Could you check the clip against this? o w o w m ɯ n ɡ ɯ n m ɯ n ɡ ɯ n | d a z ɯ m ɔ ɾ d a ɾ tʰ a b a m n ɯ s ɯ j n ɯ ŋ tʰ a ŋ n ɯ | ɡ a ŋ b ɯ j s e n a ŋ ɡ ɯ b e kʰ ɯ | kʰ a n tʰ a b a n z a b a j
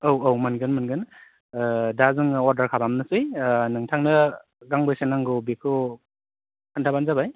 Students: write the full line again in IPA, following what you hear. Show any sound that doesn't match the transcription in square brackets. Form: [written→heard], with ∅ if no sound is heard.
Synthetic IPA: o w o w m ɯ n ɡ ɯ n m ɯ n ɡ ɯ n | d a z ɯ [m→ŋ] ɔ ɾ d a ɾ [tʰ→kʰ] a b a m n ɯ s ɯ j n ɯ ŋ tʰ a ŋ n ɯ | ɡ a ŋ b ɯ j s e n a ŋ ɡ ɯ b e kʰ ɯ | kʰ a n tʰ a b a n z a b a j